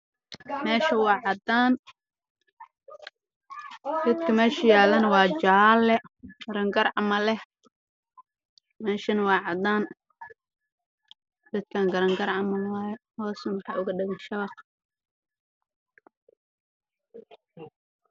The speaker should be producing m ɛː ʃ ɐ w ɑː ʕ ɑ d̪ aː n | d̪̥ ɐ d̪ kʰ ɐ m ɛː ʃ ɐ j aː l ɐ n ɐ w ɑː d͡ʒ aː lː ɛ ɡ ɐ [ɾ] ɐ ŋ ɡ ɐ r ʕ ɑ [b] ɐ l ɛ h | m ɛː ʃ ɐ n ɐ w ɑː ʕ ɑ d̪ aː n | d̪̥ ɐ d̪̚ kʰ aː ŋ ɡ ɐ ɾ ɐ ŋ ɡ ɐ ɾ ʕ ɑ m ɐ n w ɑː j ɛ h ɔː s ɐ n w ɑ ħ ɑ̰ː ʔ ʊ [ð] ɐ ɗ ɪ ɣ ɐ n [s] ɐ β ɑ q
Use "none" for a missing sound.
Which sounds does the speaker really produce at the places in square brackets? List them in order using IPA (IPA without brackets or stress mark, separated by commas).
ɾ, m, ɣ, ʃ